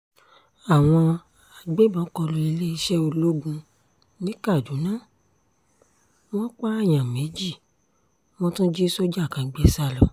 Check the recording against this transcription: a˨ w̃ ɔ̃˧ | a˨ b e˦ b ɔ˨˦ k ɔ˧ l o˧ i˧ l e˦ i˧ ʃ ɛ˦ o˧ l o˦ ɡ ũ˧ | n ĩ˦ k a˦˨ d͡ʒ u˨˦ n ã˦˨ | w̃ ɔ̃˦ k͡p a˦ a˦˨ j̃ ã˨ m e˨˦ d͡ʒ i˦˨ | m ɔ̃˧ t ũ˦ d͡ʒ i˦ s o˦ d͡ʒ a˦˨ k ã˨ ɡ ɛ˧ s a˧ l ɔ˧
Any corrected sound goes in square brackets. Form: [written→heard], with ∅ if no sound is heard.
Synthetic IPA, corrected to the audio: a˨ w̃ ɔ̃˧ | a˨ [b→ɡ͡b] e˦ b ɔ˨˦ k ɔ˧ l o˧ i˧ l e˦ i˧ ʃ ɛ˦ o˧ l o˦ ɡ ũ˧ | n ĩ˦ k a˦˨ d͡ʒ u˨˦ n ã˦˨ | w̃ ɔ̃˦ k͡p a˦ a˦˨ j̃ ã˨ m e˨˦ d͡ʒ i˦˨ | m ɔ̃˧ t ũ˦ d͡ʒ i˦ s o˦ d͡ʒ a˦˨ k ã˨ [ɡ→ɡ͡b] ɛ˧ s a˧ l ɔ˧